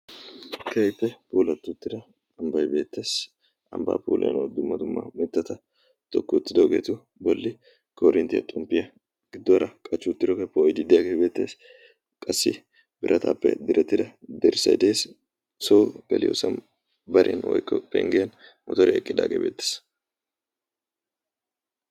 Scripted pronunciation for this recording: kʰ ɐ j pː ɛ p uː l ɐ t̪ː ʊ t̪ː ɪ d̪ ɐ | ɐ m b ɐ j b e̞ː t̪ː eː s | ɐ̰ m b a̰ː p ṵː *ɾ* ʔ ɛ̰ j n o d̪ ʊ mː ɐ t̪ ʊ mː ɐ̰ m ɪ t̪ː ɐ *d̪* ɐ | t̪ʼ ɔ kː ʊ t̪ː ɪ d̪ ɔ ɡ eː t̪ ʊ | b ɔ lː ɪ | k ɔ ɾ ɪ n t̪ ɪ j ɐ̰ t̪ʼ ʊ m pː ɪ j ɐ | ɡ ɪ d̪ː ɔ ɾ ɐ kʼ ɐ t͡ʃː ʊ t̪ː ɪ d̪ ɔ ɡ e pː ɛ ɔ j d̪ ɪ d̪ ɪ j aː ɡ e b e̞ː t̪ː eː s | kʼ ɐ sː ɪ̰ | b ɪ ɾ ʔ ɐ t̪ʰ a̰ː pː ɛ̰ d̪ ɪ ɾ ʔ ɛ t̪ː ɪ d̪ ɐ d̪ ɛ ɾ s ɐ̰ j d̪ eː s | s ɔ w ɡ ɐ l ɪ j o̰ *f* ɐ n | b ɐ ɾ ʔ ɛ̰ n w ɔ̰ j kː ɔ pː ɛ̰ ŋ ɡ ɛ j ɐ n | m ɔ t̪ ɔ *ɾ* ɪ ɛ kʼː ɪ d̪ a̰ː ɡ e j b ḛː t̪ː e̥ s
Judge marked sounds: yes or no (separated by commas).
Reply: no, no, no, yes